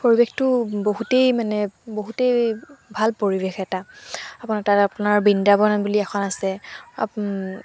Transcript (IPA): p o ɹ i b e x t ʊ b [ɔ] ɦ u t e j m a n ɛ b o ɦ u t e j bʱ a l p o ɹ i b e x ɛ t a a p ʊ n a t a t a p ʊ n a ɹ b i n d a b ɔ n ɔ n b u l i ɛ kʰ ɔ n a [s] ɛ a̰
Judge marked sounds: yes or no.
no, yes

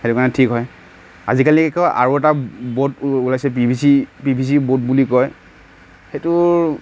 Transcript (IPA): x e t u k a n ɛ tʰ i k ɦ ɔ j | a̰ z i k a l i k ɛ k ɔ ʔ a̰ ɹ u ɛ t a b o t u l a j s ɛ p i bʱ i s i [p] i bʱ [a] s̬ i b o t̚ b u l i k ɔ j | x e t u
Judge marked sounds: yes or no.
yes, no

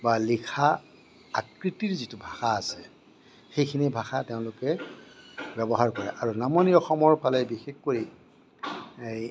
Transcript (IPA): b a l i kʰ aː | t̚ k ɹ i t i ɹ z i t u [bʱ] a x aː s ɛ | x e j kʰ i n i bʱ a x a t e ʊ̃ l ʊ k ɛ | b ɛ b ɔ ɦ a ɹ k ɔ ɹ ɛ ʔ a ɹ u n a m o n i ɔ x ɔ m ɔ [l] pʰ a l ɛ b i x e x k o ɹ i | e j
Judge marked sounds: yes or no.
yes, no

